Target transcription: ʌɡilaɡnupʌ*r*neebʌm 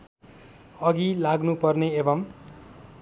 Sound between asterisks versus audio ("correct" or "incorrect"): correct